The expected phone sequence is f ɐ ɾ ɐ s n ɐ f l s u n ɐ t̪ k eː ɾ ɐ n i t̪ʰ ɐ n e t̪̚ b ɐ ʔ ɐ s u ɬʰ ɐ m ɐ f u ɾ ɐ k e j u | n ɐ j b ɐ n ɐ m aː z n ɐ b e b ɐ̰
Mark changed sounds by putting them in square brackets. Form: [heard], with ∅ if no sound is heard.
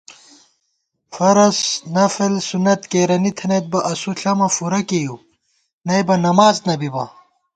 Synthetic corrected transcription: f ɐ ɾ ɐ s n ɐ f l s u n ɐ t̪ k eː ɾ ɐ n i t̪ʰ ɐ n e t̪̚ b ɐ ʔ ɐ s u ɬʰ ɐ m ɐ f u ɾ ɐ k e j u | n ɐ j b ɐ n ɐ m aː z n ɐ b [i] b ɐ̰

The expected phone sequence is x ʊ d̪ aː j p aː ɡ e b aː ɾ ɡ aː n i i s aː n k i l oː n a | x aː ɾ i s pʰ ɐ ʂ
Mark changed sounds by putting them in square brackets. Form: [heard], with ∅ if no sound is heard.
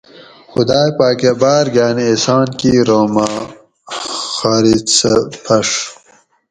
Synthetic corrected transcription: x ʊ d̪ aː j p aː [k] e b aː ɾ ɡ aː n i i s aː n k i [ɾ] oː [m] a | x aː ɾ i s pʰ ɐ ʂ

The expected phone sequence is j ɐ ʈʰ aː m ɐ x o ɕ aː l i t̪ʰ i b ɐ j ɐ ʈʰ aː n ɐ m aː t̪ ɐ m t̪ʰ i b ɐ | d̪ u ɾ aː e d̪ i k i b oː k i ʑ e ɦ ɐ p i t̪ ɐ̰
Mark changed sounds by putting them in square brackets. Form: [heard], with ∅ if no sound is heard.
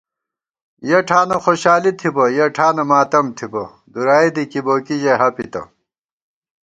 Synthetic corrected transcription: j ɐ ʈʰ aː [n] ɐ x o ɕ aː l i t̪ʰ i b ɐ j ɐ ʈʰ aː n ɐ m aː t̪ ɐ m t̪ʰ i b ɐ | d̪ u ɾ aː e d̪ i k i b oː k i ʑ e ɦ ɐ p i t̪ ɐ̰

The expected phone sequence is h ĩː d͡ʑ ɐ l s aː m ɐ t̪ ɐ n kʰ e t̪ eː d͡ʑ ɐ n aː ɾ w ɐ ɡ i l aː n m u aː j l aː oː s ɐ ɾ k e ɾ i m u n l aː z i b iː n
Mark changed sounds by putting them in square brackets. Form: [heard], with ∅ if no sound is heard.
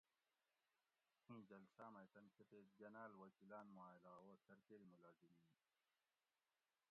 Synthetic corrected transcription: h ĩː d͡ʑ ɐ l s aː m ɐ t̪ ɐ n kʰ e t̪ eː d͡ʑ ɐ n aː [l] w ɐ [k] i l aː n m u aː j l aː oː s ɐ ɾ k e ɾ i m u [∅] l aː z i [m] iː n

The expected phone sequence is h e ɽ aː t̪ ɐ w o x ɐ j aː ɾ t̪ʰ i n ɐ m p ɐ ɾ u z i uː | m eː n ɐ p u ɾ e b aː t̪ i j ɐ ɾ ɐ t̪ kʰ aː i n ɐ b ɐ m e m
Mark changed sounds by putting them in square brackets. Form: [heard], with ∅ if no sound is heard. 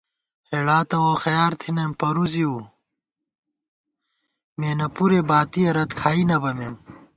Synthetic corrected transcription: h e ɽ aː t̪ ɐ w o x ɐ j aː ɾ t̪ʰ i n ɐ m p ɐ ɾ u z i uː | m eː n ɐ p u ɾ e b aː t̪ i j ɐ ɾ ɐ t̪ kʰ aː i n ɐ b ɐ m e m

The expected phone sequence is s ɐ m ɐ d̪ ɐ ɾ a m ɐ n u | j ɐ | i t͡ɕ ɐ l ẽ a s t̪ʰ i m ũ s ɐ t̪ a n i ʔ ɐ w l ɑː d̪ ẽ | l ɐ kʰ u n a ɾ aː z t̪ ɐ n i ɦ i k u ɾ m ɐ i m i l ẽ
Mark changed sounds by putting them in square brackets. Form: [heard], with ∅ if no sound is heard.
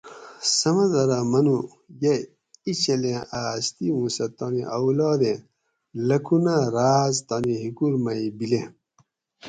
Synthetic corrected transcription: s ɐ m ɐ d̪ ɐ ɾ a m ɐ n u | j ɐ | i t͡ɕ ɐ l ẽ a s [t̪] i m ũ s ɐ t̪ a n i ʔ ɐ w l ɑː d̪ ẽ | l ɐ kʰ u n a ɾ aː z t̪ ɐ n i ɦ i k u ɾ m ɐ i [b] i l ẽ

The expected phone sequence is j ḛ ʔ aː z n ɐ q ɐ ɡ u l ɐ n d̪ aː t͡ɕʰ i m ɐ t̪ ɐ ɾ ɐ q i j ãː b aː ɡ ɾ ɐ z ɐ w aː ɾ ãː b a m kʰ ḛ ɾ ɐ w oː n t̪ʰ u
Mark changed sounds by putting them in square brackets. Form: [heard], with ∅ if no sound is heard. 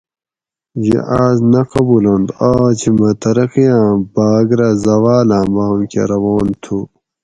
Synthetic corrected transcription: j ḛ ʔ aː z n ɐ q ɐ [b] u l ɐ n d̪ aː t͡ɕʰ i m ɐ t̪ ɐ ɾ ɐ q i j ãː b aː ɡ ɾ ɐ z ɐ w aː [l] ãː b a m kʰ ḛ ɾ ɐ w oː n t̪ʰ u

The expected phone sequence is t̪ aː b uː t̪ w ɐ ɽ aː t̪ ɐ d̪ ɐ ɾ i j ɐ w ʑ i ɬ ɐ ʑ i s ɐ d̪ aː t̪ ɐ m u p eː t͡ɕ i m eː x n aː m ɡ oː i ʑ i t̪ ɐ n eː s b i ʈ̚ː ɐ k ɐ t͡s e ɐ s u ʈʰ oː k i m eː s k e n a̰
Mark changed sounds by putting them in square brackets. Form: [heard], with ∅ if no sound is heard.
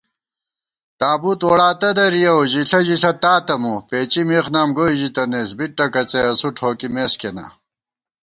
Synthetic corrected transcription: t̪ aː b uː t̪ w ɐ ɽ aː t̪ ɐ d̪ ɐ ɾ i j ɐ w ʑ i ɬ ɐ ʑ i s ɐ [t̪] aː t̪ ɐ m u p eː t͡ɕ i m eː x n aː m ɡ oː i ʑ i t̪ ɐ n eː s b i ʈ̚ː ɐ k ɐ t͡s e ɐ s u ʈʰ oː k i m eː s k e n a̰

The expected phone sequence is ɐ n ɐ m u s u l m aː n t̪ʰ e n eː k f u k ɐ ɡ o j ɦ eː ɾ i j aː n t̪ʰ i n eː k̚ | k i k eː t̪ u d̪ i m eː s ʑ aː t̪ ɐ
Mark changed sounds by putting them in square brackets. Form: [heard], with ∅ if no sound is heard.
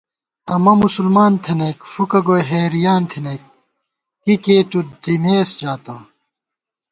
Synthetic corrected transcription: ɐ [m] ɐ m u s u l m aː n t̪ʰ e n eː k f u k ɐ ɡ o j ɦ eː ɾ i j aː n t̪ʰ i n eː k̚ | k i k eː t̪ u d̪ i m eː s [d͡ʑ] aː t̪ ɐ

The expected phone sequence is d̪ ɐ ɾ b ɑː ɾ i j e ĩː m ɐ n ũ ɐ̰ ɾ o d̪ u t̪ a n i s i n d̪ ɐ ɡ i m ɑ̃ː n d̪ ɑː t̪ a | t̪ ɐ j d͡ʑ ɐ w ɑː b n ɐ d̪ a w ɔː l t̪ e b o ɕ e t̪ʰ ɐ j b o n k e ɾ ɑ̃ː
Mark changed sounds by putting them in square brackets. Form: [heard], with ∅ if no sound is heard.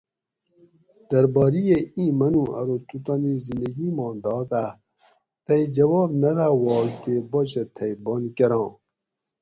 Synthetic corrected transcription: d̪ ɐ ɾ b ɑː ɾ i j e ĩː m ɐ n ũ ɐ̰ ɾ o [t̪] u t̪ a n i [z] i n d̪ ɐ ɡ i m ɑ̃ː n d̪ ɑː t̪ a | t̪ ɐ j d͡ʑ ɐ w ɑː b n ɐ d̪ a w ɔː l t̪ e b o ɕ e t̪ʰ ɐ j b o n k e ɾ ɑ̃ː

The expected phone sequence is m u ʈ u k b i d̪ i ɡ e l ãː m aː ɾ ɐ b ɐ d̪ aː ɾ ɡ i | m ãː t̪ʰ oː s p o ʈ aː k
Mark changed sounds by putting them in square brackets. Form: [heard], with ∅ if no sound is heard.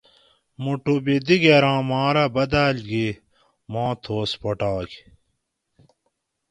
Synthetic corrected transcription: m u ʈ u [∅] b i d̪ i ɡ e [ɾ] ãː m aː ɾ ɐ b ɐ d̪ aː [l] ɡ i | m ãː t̪ʰ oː s p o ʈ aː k

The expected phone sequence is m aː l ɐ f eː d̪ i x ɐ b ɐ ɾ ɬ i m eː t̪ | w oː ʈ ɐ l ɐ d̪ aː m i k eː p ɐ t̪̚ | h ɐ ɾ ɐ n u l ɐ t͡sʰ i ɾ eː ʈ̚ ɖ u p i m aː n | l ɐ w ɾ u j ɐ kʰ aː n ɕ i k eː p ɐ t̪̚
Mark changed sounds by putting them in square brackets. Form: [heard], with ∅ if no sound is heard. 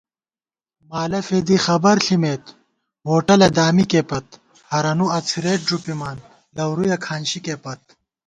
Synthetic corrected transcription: m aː l ɐ f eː d̪ i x ɐ b ɐ ɾ ɬ i m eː t̪ | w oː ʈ ɐ l ɐ d̪ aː m i k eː p ɐ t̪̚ | h ɐ ɾ ɐ n u [∅] ɐ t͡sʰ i ɾ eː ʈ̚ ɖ u p i m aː n | l ɐ w ɾ u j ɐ kʰ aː n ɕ i k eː p ɐ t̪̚

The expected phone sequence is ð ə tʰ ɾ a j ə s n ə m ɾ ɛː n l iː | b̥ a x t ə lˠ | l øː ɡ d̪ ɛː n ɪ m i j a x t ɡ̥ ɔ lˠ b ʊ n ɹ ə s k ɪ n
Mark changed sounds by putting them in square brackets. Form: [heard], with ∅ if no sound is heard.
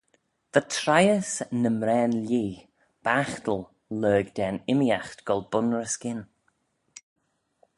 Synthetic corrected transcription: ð ə tʰ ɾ a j ə s n ə m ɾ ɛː n l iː | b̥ a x t ə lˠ | l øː ɡ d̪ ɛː n ɪ m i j a x t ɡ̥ ɔ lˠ b ʊ n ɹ ə s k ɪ n

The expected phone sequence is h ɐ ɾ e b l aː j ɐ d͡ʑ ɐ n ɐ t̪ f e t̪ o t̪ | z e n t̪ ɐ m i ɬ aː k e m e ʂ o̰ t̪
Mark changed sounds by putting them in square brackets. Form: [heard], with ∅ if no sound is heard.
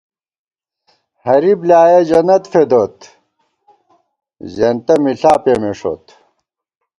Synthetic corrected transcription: h ɐ ɾ [i] b l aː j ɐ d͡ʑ ɐ n ɐ t̪ f e [d̪] o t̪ | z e n t̪ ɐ m i ɬ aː [p] e m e ʂ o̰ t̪

